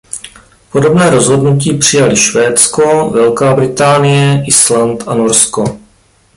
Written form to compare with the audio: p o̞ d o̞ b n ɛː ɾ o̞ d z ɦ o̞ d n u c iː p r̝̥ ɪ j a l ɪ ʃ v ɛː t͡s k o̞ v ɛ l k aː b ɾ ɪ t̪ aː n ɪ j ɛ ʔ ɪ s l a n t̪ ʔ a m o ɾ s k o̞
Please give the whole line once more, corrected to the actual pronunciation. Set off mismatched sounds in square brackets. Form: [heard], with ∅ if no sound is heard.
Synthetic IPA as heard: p o̞ d o̞ b n ɛː ɾ o̞ [∅] z ɦ o̞ d n u c iː p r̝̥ ɪ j a l ɪ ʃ v ɛː t͡s k o̞ v ɛ l k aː b ɾ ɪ t̪ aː n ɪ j ɛ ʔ ɪ s l a n t̪ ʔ a [n] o ɾ s k o̞